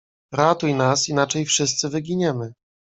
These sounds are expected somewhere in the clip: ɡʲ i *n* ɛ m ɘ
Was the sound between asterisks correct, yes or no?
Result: no